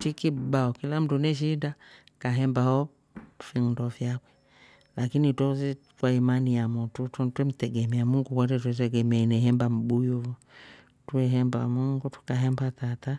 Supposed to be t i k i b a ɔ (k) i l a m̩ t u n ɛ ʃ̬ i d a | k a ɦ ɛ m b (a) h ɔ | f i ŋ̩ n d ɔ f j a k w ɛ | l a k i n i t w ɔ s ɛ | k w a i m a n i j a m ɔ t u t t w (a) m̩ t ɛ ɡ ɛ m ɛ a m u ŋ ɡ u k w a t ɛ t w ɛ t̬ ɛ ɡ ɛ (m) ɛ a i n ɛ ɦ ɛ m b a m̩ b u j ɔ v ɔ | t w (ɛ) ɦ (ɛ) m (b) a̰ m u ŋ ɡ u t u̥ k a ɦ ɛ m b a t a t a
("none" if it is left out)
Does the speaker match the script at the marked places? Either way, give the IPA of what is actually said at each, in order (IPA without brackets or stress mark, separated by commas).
k, a, ɛ, m, ɛ, ɛ, b